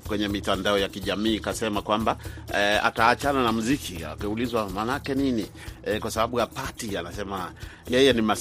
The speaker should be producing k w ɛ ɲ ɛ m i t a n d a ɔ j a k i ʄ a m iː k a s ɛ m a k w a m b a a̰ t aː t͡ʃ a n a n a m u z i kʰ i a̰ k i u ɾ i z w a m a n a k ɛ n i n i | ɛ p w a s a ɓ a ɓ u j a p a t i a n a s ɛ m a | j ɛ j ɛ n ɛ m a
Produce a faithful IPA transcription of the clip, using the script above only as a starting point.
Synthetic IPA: k w ɛ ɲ ɛ m i t a n d a ɔ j a k i ʄ a m iː k a s ɛ m a k w a m b a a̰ t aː t͡ʃ a n a n a m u z i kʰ i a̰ k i u l i z w a m a n a k ɛ n i n i | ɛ k w a s a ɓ a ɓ u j a p a t i a n a s ɛ m a | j ɛ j ɛ n i m a